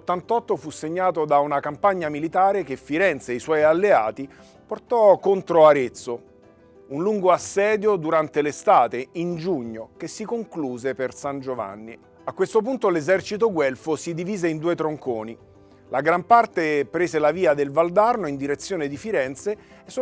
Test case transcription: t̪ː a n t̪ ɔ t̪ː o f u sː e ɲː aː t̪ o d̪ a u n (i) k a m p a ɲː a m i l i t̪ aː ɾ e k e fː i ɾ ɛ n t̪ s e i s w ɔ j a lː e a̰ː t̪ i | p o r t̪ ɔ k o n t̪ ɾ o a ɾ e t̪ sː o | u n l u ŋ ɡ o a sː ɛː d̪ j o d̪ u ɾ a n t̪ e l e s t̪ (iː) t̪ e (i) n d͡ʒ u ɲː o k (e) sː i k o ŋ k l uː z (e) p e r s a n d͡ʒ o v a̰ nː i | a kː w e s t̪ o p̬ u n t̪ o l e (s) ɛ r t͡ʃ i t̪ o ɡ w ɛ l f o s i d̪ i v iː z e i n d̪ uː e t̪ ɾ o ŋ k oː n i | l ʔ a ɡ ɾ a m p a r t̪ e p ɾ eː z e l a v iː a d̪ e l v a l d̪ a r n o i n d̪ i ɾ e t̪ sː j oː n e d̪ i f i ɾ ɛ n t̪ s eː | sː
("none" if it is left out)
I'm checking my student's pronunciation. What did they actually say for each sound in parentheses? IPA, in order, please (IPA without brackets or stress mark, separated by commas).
a, aː, i, e, e, z